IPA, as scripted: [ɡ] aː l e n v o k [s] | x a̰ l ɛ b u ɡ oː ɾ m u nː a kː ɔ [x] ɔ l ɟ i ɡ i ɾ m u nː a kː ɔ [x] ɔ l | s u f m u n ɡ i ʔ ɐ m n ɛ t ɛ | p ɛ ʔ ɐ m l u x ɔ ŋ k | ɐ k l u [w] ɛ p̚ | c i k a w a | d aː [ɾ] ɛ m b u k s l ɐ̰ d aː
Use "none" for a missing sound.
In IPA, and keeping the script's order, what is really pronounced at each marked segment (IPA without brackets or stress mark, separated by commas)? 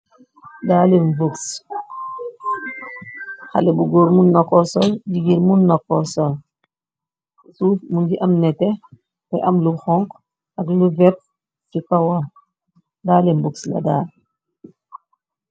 d, s, s, s, v, l